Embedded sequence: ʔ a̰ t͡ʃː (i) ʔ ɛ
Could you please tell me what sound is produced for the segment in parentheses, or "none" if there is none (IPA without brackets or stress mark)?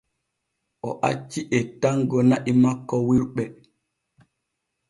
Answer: i